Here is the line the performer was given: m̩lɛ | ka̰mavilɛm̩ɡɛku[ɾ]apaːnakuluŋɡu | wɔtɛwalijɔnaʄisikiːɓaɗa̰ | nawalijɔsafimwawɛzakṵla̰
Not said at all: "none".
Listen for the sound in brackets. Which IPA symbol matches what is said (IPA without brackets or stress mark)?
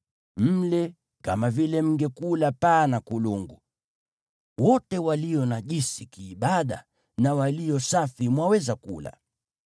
l